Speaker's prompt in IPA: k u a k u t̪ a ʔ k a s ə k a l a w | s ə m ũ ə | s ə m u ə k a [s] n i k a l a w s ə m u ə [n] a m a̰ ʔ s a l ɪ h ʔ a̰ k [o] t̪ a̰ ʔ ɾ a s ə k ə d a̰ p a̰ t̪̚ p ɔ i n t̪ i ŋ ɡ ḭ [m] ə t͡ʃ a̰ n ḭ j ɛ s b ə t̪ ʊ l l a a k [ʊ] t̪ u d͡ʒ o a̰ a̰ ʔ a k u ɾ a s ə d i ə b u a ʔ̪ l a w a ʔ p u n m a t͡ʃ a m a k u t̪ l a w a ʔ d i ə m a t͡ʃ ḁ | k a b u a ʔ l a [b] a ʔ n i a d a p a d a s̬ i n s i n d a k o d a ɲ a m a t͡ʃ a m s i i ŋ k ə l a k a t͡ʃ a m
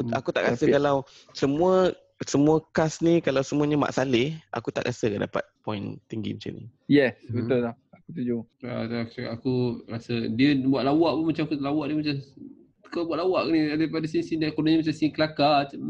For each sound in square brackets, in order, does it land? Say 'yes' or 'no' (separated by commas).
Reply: yes, no, no, yes, no, no